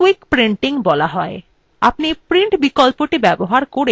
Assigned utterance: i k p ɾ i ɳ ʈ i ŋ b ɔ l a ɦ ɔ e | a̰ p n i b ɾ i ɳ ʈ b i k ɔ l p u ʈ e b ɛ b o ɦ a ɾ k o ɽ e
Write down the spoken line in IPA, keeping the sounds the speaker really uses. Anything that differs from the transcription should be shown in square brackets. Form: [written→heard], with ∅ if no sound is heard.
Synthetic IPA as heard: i k p ɾ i ɳ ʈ i ŋ b ɔ l a ɦ ɔ e | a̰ p n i [b→p] ɾ i ɳ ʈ b i k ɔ l p [u→o] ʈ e b ɛ b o ɦ a ɾ k o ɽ e